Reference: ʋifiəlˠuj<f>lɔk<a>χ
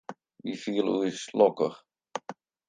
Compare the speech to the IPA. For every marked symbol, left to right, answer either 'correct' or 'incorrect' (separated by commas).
incorrect, incorrect